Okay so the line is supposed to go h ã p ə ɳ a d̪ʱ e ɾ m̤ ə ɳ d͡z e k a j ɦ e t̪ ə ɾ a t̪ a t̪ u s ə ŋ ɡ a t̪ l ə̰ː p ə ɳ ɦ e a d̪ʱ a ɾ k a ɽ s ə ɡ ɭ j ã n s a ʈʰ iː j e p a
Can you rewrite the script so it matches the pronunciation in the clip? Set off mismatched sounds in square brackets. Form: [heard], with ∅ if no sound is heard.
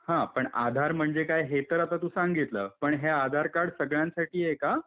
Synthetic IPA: h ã p ə ɳ a d̪ʱ [a] ɾ m̤ ə ɳ d͡z e k a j ɦ e t̪ ə ɾ a t̪ a t̪ u s [a] ŋ ɡ [i] t̪ l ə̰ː p ə ɳ ɦ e a d̪ʱ a ɾ k a ɽ s ə ɡ ɭ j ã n s a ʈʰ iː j e [k] a